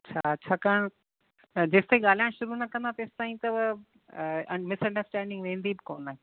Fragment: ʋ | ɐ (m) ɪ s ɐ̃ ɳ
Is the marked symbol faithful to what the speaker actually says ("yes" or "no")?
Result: yes